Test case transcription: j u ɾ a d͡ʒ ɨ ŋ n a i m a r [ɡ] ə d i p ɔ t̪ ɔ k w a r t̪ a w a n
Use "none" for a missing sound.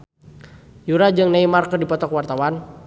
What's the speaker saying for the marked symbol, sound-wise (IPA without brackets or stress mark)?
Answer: k